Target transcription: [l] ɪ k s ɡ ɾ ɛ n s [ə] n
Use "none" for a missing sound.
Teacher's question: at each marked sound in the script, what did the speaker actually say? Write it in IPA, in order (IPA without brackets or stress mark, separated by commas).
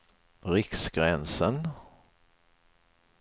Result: ɾ, ə